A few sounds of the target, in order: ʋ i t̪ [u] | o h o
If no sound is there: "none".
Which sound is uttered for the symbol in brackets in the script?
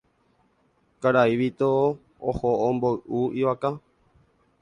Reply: o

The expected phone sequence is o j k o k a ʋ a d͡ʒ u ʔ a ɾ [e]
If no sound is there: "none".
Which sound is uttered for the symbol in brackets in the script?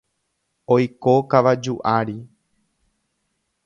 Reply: i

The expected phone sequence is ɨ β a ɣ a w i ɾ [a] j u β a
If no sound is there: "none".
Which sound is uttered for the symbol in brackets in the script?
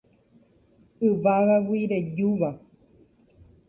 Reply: e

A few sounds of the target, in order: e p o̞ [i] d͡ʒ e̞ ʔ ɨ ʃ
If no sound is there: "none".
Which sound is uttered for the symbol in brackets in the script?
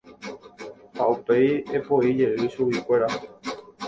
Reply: i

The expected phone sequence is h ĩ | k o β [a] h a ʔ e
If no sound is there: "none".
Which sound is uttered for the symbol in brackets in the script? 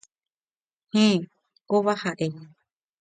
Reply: a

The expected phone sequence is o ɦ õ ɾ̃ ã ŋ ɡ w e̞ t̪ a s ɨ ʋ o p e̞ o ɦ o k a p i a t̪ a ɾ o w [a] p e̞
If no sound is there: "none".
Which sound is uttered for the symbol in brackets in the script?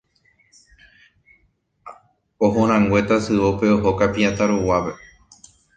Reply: a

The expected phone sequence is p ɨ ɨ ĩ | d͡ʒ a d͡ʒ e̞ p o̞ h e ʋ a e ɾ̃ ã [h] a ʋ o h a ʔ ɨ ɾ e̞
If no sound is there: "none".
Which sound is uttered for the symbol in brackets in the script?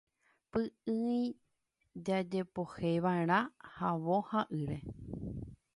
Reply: h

